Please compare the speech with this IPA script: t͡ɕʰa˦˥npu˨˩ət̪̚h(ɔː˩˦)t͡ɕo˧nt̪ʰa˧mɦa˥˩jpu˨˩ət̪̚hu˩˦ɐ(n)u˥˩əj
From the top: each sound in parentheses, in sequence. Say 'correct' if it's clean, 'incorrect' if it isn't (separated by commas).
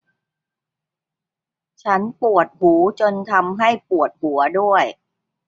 incorrect, incorrect